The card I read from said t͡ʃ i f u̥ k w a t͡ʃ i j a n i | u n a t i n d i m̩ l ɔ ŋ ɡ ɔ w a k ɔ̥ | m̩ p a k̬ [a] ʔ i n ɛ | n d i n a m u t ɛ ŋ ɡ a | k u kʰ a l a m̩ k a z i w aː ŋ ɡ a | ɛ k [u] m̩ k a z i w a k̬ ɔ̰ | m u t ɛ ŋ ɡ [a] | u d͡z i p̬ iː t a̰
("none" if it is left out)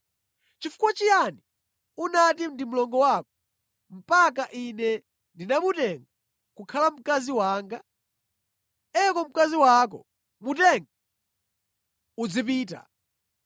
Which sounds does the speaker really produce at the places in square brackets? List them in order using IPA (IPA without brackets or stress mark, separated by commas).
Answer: a, ɔ, a